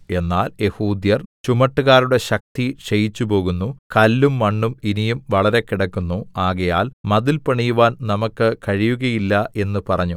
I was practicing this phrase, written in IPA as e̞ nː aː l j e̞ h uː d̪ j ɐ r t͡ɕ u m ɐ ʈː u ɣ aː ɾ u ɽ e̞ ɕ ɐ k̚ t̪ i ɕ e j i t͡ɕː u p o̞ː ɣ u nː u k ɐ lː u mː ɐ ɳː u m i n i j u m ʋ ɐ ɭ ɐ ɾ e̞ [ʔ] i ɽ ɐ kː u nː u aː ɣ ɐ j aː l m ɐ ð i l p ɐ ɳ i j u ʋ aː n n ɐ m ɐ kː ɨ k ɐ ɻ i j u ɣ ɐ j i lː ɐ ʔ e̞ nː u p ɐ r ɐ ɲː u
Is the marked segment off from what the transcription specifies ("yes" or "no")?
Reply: yes